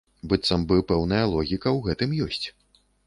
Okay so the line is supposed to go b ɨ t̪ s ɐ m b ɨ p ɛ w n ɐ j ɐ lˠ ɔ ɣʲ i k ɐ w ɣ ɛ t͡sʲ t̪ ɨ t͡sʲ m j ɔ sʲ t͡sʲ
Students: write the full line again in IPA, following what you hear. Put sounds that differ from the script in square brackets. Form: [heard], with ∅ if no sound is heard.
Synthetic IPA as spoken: b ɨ t̪ s ɐ m b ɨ p ɛ w n ɐ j ɐ lˠ ɔ ɣʲ i k ɐ w ɣ ɛ [∅] t̪ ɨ [∅] m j ɔ sʲ t͡sʲ